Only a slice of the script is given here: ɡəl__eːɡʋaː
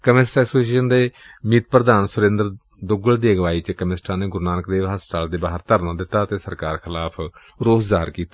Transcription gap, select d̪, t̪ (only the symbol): d̪